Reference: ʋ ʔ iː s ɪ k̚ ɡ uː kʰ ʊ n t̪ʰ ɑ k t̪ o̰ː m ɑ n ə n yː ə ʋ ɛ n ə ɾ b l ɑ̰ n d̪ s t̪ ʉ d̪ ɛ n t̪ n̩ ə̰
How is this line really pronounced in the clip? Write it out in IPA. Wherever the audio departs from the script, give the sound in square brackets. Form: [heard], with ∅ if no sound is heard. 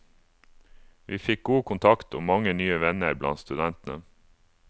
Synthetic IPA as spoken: ʋ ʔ iː [f] ɪ k̚ ɡ uː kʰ ʊ n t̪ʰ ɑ k t̪ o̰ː m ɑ [ŋ] ə n yː ə ʋ ɛ n ə ɾ b l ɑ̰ n [t̪] s t̪ ʉ d̪ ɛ n t̪ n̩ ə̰